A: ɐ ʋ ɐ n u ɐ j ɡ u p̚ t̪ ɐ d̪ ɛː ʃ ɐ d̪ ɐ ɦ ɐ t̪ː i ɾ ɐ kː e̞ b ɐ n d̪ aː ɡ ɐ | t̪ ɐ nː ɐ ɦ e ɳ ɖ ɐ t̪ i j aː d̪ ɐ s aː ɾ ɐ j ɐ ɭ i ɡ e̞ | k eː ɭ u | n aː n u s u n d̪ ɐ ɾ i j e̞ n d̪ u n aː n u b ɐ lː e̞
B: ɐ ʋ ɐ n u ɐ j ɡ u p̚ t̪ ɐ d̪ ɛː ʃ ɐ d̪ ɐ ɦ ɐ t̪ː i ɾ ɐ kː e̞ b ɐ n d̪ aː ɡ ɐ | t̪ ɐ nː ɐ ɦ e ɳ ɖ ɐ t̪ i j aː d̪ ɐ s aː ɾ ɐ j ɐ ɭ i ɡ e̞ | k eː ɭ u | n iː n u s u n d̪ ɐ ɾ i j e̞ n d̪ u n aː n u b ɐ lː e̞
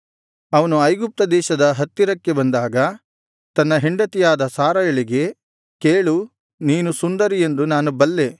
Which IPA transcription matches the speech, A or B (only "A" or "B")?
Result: B